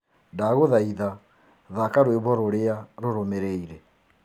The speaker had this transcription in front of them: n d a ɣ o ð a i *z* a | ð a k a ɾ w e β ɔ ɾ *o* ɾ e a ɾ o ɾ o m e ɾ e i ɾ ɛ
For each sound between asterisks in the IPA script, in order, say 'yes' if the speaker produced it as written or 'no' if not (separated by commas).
no, yes